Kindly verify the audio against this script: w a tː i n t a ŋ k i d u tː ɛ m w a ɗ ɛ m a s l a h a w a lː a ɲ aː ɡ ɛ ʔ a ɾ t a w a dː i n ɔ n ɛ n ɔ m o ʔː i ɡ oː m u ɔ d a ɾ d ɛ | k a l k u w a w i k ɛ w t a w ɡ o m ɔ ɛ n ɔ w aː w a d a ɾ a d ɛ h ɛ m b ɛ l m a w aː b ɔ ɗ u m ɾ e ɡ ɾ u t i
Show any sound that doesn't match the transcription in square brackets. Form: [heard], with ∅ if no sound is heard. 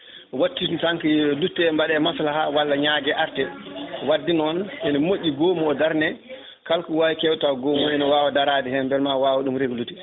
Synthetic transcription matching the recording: w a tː i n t a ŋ k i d u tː ɛ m [b] a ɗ ɛ m a s l a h a w a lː a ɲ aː ɡ ɛ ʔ a ɾ t [ɛ] w a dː i n ɔ n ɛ n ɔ m o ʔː i ɡ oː m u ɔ d a ɾ [n] ɛ | k a l k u w a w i k ɛ w t a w ɡ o m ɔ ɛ n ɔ w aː w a d a ɾ a d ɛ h ɛ m b ɛ l m a w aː [w] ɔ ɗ u m ɾ e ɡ [l] u t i